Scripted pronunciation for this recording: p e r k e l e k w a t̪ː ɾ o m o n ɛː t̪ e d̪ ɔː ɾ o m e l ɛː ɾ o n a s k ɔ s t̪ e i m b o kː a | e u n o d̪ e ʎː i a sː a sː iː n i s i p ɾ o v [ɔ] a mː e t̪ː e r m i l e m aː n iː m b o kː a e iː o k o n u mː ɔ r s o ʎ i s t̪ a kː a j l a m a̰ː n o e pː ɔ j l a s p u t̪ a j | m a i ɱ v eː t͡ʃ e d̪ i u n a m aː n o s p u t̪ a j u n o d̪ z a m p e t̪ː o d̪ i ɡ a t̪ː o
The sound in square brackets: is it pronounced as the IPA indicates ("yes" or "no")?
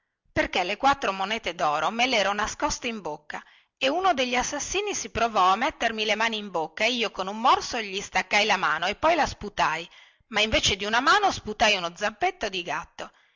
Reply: yes